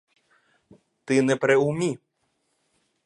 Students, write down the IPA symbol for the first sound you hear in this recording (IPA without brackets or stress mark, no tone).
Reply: t̪